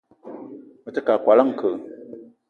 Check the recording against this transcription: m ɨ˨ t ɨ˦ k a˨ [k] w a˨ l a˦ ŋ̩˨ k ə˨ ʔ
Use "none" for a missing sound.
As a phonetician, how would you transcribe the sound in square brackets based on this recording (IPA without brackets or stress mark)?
k